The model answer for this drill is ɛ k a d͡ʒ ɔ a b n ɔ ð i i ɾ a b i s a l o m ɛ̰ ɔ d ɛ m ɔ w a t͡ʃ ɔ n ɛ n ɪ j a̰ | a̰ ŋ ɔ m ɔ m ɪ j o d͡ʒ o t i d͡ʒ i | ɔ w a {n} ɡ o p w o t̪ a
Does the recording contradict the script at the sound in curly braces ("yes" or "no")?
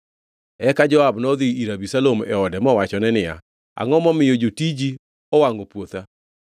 yes